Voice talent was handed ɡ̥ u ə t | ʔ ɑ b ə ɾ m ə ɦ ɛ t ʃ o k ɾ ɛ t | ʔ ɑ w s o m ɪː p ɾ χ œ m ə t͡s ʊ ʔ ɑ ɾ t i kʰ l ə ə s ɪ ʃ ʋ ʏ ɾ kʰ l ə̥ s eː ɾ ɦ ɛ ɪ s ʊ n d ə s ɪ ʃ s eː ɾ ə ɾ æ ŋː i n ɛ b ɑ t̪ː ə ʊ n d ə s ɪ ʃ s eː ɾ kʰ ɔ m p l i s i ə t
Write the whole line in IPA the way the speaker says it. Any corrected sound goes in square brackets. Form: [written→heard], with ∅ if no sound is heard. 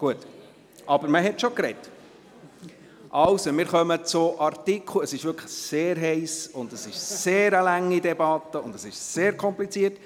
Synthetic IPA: ɡ̥ u ə t | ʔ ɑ b ə ɾ m ə ɦ ɛ t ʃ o k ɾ ɛ t | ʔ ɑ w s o m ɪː [p→∅] ɾ χ œ m ə t͡s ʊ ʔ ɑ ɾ t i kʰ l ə ə s ɪ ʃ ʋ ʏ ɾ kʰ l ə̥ s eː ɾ ɦ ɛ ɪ s ʊ n d ə s ɪ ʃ s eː ɾ ə [ɾ→l] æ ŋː i [n→d] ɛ b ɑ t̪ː ə ʊ n d ə s ɪ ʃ s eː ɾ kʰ ɔ m p l i [s→t͡s] i ə t

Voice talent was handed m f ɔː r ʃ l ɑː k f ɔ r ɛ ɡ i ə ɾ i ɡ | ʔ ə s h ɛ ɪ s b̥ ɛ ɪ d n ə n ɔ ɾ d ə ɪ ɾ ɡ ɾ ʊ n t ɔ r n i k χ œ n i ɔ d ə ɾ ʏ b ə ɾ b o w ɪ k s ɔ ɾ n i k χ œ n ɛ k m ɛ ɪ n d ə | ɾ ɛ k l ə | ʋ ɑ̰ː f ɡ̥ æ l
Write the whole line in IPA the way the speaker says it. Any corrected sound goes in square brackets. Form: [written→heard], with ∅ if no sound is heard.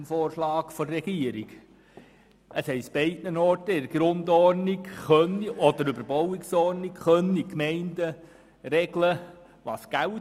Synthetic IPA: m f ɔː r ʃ l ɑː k f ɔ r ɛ ɡ i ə ɾ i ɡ | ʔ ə s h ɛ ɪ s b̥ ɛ ɪ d n ə n ɔ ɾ [d→t] ə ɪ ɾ ɡ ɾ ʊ n [t→d] ɔ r n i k χ œ n i ɔ d ə ɾ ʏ b ə ɾ b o w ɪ k s ɔ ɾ n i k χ œ n [ɛ→i] k m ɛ ɪ n d ə | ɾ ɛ [k→ɡ] l ə | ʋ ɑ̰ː [f→s] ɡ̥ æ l

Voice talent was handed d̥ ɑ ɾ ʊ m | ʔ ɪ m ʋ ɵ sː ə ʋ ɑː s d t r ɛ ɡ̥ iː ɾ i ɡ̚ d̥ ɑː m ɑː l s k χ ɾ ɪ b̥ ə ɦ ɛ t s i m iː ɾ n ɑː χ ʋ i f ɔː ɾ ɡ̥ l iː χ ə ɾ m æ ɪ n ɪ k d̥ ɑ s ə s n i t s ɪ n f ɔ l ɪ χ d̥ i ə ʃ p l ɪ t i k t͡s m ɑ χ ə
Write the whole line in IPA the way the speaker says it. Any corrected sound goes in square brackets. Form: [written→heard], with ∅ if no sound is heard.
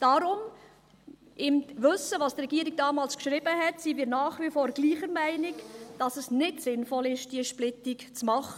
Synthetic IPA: d̥ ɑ ɾ ʊ m | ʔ ɪ m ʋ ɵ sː ə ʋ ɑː s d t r ɛ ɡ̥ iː ɾ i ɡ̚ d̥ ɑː m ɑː l s k [χ→ʃ] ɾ ɪ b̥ ə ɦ ɛ t s i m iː ɾ n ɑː χ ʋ i f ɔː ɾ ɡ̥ l iː χ ə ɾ m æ ɪ n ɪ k d̥ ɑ s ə s n [i→ɪ] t s ɪ n f ɔ l ɪ [χ→ʃ] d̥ i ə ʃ p l ɪ t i k t͡s m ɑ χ ə

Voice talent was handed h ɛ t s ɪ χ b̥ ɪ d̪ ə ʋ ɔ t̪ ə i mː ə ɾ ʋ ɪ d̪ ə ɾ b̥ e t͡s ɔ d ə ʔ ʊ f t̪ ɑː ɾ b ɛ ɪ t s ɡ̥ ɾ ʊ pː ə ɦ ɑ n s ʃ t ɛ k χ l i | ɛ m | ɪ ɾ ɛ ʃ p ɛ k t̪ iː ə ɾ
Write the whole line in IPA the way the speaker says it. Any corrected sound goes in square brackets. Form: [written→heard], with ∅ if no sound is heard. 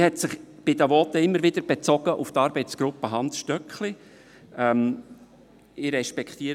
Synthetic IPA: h ɛ t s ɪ χ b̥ ɪ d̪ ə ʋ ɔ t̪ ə [i→ɪ] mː ə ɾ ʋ ɪ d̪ ə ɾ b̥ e t͡s ɔ [d→ɡ] ə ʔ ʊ f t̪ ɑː ɾ b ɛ ɪ t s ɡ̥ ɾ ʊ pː ə ɦ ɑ n s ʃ t [ɛ→œ] k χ l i | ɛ m | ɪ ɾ ɛ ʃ p ɛ k t̪ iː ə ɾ

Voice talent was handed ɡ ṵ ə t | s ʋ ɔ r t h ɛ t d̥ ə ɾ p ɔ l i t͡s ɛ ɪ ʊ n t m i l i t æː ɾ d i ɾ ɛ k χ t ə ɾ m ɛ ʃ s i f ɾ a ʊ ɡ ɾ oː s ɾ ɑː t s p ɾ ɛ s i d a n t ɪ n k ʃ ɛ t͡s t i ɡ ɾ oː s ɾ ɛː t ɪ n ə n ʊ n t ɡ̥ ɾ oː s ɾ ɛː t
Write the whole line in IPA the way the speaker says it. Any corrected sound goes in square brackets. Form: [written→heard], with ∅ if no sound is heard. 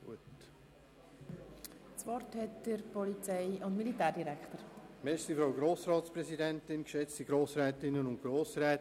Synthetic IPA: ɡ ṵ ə t | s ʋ ɔ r t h ɛ t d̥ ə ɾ p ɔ l i t͡s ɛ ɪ ʊ n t m i l i t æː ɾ d i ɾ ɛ k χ t ə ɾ m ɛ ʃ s i f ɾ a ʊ ɡ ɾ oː s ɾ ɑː t s p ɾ ɛ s i d [a→ɛ] n t ɪ n k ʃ ɛ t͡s t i ɡ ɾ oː s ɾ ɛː t ɪ n ə n ʊ n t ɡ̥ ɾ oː s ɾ ɛː t

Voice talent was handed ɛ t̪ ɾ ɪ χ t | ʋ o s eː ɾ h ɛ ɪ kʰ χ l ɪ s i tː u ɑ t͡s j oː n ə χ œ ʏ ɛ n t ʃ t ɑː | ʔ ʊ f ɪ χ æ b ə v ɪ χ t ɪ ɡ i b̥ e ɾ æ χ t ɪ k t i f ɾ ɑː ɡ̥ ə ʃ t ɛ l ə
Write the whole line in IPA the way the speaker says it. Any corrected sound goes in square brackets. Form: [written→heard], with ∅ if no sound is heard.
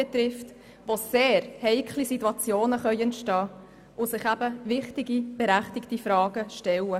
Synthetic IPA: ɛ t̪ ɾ ɪ [χ→f] t | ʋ o s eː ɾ h ɛ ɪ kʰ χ l [ɪ→i] s i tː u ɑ t͡s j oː n ə χ œ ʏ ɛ n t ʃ t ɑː | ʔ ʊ [f→s] ɪ χ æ b ə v ɪ χ t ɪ ɡ i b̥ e ɾ æ χ t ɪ k t i f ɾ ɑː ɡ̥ ə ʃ t ɛ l ə

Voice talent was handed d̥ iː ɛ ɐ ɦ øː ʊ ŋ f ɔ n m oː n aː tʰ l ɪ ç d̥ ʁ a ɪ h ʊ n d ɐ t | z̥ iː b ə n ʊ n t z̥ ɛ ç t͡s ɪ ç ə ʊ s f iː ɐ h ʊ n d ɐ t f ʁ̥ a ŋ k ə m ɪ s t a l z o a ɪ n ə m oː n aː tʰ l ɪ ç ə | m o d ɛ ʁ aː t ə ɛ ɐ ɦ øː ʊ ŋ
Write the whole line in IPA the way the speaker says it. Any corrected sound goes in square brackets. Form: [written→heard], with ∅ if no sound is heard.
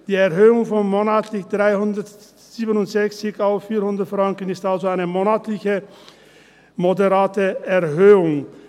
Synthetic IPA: d̥ iː ɛ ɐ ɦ øː ʊ ŋ f ɔ n m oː n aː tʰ l ɪ ç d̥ ʁ a ɪ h ʊ n d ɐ t | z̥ iː b ə n ʊ n t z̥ ɛ ç t͡s ɪ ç [ə→a] ʊ [s→f] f iː ɐ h ʊ n d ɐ t f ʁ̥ a ŋ k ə [m→n] ɪ s t a l z o a ɪ n ə m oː n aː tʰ l ɪ ç ə | m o d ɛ ʁ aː t ə ɛ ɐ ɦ øː ʊ ŋ

